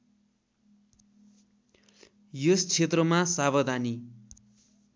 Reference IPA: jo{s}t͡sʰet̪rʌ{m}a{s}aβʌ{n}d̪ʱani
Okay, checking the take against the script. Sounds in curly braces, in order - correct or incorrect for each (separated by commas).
correct, correct, correct, incorrect